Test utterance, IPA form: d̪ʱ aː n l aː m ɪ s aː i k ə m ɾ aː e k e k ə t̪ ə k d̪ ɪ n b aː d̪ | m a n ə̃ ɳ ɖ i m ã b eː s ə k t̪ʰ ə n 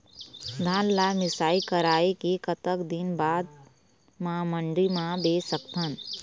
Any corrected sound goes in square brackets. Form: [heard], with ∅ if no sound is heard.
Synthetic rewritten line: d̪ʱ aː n l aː m ɪ s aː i k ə [∅] ɾ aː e k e k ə t̪ ə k d̪ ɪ n b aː d̪ | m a [m] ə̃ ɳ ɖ i m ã b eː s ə k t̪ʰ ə n